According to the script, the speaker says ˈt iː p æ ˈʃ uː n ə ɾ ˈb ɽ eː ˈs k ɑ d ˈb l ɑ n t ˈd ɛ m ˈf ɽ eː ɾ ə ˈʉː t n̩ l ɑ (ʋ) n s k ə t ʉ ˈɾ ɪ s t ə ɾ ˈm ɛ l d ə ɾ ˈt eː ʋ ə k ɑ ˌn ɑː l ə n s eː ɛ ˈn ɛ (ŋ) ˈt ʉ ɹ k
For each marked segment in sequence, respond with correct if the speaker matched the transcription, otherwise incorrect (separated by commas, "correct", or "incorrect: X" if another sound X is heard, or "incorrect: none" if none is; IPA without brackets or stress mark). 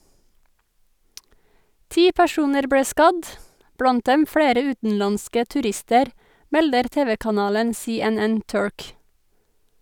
incorrect: none, incorrect: n